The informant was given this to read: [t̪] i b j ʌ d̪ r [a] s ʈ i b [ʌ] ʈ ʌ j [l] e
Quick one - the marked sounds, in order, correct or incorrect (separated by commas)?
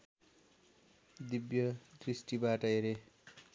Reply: incorrect, incorrect, incorrect, incorrect